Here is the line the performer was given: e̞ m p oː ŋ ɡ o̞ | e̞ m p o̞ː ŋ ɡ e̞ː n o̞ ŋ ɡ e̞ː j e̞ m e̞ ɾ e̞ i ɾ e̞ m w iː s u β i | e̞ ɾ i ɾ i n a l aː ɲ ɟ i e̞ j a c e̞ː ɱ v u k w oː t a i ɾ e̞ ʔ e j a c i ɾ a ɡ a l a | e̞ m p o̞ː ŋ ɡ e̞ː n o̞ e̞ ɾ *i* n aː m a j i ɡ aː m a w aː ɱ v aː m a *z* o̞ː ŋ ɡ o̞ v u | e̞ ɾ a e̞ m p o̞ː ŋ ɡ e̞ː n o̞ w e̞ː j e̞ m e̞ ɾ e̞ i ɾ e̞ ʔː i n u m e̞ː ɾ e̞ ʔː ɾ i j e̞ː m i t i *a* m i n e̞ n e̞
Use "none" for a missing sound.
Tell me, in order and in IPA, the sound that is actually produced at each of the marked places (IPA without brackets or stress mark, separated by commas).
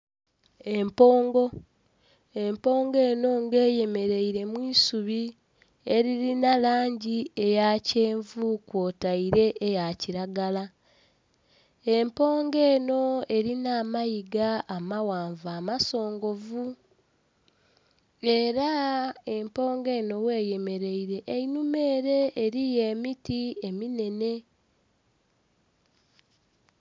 i, s, e